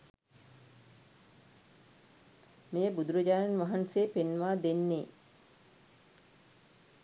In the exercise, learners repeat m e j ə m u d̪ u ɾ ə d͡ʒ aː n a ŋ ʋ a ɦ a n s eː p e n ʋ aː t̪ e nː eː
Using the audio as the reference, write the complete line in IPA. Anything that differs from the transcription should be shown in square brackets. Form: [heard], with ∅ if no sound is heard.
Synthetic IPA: m e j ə [b] u d̪ u ɾ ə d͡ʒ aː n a [n] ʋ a ɦ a n s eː p e n ʋ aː [d̪] e nː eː